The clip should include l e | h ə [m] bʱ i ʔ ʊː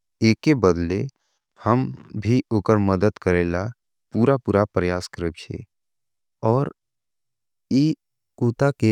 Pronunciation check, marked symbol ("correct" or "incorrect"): correct